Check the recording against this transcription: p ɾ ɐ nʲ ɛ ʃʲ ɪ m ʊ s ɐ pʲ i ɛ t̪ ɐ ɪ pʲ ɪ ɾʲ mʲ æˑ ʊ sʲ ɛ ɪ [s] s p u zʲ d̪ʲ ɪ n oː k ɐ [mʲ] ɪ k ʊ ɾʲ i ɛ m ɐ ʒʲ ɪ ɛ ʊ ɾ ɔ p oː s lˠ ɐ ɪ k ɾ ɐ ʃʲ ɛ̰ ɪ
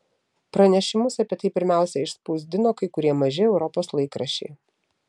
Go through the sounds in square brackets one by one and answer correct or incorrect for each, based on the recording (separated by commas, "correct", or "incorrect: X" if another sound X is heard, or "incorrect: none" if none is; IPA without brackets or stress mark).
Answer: incorrect: ʃ, incorrect: none